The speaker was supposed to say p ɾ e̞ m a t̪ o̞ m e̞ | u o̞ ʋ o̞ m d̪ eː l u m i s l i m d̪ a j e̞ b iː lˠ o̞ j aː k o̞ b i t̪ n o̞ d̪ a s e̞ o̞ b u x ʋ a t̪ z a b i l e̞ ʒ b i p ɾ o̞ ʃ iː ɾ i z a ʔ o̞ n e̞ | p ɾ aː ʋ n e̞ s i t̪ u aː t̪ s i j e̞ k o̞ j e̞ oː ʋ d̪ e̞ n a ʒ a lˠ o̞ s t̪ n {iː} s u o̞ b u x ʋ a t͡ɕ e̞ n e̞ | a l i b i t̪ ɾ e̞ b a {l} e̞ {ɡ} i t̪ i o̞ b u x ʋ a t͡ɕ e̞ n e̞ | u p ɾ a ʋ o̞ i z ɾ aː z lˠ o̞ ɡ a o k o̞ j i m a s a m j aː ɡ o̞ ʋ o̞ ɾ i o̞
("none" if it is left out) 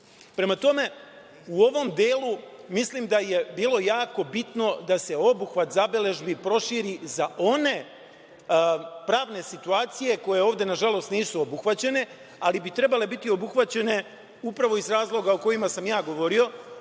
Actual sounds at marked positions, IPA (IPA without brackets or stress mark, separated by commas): iː, l, b